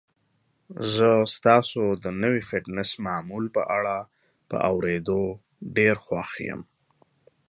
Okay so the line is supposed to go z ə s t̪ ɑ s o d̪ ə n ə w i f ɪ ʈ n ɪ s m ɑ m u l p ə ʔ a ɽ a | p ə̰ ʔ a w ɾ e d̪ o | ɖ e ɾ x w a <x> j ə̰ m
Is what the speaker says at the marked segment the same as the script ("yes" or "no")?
yes